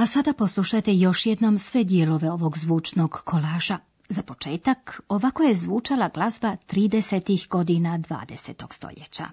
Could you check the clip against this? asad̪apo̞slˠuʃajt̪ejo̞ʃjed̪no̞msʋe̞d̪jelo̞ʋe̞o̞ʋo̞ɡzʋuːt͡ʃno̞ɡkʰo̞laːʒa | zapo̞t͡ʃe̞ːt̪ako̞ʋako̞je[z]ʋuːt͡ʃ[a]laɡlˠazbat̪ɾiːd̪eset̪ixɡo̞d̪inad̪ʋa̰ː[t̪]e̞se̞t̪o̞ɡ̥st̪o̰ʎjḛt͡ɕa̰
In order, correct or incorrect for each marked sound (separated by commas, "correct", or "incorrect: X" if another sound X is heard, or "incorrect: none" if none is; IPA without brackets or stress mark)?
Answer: correct, correct, incorrect: d̪